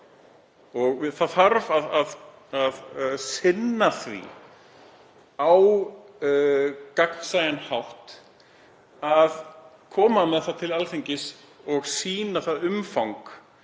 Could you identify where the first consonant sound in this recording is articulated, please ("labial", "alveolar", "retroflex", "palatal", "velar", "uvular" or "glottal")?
velar